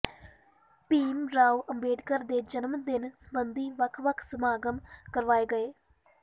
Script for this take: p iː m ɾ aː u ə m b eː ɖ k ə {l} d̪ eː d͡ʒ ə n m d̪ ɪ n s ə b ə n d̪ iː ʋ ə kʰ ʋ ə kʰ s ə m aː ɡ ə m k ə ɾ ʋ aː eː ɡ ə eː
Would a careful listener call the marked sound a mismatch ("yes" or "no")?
yes